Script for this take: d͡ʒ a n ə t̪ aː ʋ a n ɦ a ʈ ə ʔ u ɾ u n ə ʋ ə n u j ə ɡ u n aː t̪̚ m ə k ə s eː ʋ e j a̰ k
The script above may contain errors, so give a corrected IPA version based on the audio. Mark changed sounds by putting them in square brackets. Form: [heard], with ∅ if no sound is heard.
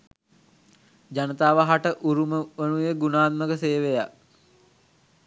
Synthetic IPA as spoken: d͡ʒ a n ə t̪ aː ʋ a [∅] ɦ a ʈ ə ʔ u ɾ u [m] ə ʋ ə n u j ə ɡ u n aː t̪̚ m ə k ə s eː ʋ e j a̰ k